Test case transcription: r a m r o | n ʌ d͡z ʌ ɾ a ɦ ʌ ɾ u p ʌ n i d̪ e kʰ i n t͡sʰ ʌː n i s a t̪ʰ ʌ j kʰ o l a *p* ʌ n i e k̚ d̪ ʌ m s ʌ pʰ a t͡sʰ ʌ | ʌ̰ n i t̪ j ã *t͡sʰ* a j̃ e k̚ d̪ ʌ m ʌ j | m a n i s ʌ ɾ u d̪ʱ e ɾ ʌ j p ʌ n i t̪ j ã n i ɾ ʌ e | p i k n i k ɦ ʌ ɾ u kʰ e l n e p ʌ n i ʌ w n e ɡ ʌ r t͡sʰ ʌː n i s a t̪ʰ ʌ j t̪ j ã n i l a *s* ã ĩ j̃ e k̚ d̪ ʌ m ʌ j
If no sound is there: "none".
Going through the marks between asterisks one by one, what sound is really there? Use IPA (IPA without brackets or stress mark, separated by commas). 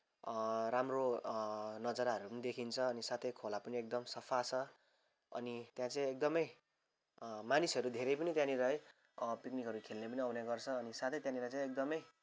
p, t͡s, t͡s